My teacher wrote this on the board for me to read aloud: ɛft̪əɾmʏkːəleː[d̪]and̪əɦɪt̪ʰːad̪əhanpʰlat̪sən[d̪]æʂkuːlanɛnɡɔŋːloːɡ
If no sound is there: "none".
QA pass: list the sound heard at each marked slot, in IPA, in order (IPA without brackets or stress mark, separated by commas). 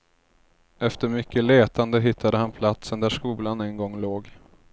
t̪, d̪